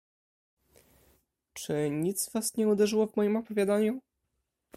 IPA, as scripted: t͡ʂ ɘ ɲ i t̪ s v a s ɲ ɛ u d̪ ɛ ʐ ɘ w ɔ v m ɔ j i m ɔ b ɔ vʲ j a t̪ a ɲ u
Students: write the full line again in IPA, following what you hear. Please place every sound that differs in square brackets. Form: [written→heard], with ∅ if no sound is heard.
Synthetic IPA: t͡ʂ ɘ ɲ i t̪ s v a s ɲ ɛ u d̪ ɛ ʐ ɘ w ɔ v m ɔ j i m ɔ [b→p] ɔ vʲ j a [t̪→d̪] a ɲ u